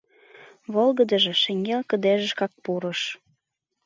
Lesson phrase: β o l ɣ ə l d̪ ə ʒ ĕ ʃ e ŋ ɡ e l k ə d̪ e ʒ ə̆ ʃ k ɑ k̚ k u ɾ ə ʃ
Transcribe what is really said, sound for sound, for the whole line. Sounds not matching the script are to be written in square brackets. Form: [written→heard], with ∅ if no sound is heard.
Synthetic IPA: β o l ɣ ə [l→∅] d̪ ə ʒ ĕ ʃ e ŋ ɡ e l k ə d̪ e ʒ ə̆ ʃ k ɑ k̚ [k→p] u ɾ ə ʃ